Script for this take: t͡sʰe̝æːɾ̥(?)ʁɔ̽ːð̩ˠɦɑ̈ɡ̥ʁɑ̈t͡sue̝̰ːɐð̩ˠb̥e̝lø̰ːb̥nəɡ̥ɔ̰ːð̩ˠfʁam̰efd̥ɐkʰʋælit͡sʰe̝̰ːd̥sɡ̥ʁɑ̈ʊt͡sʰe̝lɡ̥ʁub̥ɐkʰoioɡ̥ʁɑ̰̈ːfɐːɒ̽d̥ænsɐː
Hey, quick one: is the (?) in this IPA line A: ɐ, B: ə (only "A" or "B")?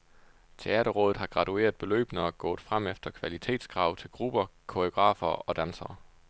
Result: A